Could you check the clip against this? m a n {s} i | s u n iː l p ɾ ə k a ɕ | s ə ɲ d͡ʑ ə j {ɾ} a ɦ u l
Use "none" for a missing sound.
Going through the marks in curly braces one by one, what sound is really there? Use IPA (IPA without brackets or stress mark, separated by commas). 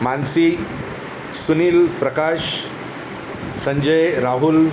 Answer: s, ɾ